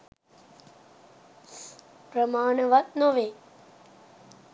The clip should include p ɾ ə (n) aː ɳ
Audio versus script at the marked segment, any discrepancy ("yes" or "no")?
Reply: yes